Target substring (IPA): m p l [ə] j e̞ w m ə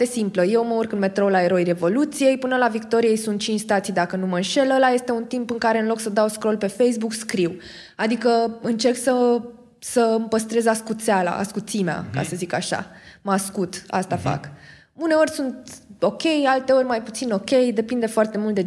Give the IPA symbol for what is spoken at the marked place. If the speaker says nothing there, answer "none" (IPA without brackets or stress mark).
ə